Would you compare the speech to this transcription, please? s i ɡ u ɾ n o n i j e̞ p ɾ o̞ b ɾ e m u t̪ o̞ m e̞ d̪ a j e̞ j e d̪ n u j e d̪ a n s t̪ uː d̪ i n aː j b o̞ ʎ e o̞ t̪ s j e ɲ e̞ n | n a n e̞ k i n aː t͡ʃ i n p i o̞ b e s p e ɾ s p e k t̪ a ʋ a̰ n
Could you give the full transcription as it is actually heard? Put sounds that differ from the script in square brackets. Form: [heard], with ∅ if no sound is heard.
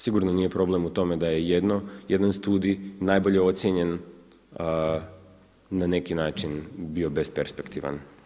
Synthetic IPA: s i ɡ u ɾ n o n i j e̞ p ɾ o̞ b [l] e m u t̪ o̞ m e̞ d̪ a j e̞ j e d̪ n [o] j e d̪ a n s t̪ uː d̪ i n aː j b o̞ ʎ e o̞ t̪ s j e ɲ e̞ n | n a n e̞ k i n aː t͡ʃ i n [b] i o̞ b e s p e ɾ s p e k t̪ [i] ʋ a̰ n